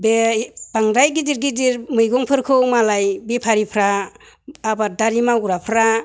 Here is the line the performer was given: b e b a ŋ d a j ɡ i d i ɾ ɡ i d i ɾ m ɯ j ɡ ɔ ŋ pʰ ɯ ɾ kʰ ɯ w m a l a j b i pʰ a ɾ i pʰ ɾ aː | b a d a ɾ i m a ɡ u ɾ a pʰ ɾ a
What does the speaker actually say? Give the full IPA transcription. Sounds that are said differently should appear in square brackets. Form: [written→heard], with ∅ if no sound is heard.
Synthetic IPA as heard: b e b a ŋ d a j ɡ i d i ɾ ɡ i d i ɾ m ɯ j ɡ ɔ ŋ pʰ ɯ ɾ kʰ ɯ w m a l a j b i pʰ a ɾ i pʰ ɾ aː | b a d a ɾ i m a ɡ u ɾ a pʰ ɾ a